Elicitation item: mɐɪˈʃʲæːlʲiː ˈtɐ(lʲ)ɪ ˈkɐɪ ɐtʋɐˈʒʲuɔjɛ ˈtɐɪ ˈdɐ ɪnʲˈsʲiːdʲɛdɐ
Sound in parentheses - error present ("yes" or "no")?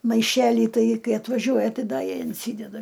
yes